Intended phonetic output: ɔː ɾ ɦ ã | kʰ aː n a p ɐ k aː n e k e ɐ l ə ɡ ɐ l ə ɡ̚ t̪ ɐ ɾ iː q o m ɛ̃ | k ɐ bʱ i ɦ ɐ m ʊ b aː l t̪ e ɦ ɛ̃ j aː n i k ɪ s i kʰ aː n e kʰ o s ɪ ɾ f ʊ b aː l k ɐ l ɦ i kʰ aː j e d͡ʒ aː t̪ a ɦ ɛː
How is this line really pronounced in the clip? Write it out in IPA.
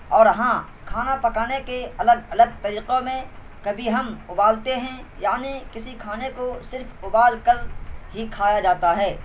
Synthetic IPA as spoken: ɔː ɾ ɦ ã | kʰ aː n a p ɐ k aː n e k e ɐ l ə ɡ ɐ l ə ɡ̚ t̪ ɐ ɾ iː q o m ẽ | k ɐ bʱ i ɦ ɐ m ʊ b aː l t̪ e ɦ ɛ̃ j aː n i k ɪ s i kʰ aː n e k o s ɪ ɾ f ʊ b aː l k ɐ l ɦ i kʰ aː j a d͡ʒ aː t̪ a ɦ ɛː